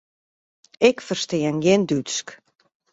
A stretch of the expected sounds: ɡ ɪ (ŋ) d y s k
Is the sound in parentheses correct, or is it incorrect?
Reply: incorrect